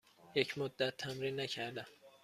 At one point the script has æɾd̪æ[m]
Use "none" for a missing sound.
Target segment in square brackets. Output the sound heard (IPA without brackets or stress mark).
m